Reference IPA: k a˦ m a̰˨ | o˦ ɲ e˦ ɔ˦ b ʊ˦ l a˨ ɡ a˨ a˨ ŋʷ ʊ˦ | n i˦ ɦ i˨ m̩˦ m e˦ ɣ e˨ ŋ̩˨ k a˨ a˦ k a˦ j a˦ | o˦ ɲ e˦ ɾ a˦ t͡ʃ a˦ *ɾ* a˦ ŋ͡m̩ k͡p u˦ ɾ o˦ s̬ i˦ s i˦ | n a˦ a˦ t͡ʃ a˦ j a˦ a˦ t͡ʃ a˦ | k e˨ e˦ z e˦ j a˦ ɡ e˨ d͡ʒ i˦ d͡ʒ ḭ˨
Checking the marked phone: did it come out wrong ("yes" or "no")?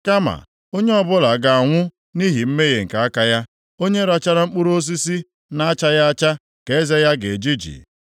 no